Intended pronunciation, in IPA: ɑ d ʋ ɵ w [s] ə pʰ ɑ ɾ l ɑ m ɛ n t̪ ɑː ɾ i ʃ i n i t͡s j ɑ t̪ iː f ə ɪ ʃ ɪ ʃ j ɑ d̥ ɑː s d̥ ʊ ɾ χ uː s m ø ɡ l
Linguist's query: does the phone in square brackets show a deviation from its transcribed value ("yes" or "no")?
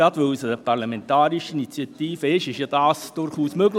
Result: no